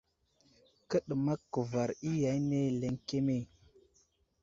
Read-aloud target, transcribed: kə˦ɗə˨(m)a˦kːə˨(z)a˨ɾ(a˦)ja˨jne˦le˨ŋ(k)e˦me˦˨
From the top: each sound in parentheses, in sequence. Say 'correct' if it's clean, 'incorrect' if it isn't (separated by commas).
correct, incorrect, incorrect, correct